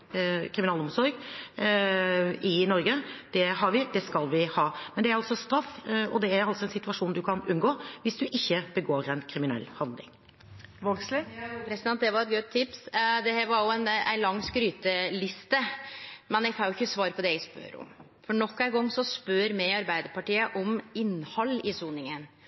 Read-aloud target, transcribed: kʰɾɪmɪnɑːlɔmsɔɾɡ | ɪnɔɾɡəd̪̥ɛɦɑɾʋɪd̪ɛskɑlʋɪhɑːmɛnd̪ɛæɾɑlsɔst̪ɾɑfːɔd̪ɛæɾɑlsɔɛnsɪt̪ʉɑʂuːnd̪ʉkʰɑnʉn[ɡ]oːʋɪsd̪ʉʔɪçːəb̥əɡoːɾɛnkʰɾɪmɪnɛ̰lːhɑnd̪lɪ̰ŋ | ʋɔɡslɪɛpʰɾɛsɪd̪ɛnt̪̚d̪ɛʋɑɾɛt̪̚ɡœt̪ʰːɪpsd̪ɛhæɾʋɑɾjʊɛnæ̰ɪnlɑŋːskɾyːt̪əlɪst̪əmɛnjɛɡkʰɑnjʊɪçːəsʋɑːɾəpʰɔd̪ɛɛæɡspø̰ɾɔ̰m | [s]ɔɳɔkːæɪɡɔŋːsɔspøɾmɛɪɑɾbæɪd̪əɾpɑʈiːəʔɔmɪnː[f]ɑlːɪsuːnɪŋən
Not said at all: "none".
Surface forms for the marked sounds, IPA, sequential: ɡ, f, h

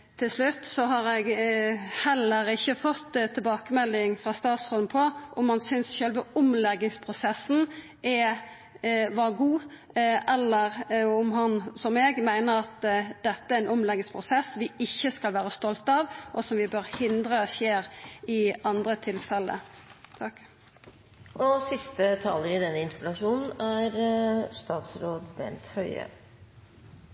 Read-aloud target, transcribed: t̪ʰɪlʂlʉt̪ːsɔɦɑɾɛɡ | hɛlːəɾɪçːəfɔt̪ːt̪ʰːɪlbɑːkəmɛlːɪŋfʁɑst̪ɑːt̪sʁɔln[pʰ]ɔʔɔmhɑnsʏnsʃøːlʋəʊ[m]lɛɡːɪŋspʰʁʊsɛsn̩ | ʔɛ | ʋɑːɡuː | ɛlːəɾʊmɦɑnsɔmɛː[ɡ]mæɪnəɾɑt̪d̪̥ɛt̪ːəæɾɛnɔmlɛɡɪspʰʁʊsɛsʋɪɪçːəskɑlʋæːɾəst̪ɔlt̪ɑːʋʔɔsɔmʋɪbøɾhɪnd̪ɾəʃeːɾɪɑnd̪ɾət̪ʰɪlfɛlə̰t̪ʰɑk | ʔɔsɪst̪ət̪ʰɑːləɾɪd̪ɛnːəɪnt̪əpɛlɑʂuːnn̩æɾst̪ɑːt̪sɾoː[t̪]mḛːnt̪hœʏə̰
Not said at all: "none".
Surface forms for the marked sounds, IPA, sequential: pʰ, m, ɡ, d̪

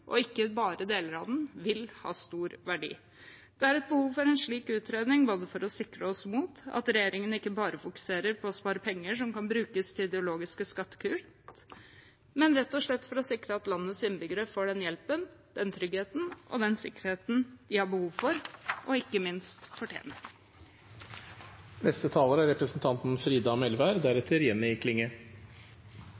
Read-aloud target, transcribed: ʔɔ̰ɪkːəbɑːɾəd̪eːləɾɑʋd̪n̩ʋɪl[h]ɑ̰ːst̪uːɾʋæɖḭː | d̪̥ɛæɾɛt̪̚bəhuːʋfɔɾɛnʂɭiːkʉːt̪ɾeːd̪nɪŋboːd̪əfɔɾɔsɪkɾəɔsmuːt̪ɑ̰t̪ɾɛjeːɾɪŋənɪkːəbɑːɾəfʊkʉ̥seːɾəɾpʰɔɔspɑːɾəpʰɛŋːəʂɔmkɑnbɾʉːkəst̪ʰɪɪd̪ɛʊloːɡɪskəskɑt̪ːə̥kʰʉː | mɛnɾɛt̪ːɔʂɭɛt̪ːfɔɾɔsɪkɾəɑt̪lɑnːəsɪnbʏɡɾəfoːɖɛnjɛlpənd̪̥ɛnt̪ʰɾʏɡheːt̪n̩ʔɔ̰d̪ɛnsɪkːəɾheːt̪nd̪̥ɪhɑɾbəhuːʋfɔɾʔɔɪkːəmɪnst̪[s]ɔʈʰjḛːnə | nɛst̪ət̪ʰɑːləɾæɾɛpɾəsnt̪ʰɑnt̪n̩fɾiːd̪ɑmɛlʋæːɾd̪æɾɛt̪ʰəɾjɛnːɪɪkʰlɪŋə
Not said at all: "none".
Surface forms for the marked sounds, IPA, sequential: h, f

